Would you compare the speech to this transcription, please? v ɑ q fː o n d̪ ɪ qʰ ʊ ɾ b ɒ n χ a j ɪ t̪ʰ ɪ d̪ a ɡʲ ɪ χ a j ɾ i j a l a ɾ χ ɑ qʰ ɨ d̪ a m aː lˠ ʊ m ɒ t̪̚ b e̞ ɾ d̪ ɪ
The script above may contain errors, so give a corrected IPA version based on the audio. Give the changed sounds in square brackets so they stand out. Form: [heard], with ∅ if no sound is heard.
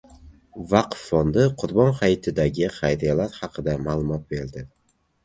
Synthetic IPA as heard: v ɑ q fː o n d̪ ɪ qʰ ʊ ɾ b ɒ n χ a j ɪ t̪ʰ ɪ d̪ a ɡʲ ɪ χ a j ɾ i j a l a ɾ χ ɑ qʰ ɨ d̪ a m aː lˠ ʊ m ɒ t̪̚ b e̞ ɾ d̪ ɪ